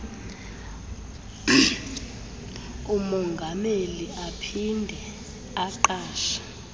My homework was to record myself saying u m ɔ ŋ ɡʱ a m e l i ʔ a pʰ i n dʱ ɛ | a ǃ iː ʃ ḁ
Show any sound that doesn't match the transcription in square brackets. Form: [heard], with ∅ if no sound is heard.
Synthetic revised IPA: u m ɔ ŋ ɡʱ a m e l i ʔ a pʰ i n dʱ ɛ | a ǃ [aː] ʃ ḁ